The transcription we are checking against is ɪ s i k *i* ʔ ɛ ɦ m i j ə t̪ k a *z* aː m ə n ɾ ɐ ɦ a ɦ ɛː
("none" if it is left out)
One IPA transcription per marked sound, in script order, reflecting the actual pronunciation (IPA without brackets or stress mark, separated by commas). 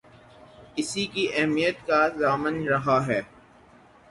i, z